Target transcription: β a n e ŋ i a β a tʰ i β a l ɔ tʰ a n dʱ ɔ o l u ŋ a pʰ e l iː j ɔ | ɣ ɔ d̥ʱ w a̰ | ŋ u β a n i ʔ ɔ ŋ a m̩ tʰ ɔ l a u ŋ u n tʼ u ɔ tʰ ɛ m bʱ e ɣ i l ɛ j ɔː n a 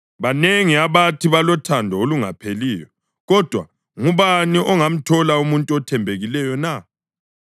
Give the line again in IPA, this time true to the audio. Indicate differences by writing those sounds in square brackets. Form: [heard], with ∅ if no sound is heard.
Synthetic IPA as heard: β a n e ŋ i a β a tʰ i β a l ɔ tʰ a n dʱ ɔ o l u ŋ a pʰ e l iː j ɔ | ɣ ɔ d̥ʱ w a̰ | ŋ u β a n i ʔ ɔ ŋ a m̩ tʰ ɔ l a u [m] u n tʼ u ɔ tʰ ɛ m bʱ e ɣ i l ɛ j [ɔ] n a